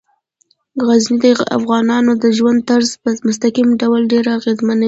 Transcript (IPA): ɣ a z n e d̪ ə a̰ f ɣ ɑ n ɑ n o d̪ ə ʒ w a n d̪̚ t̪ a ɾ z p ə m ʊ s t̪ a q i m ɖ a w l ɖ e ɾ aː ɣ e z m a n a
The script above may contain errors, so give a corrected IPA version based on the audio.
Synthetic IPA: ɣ a z n i d̪ ə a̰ f ɣ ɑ n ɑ n o d̪ ə ʒ w a n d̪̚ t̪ a ɾ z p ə m ʊ s t̪ a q i m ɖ a w l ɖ e ɾ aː ɣ e z m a n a